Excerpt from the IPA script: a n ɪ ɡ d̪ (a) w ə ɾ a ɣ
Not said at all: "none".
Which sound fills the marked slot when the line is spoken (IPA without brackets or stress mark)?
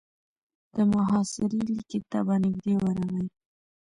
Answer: e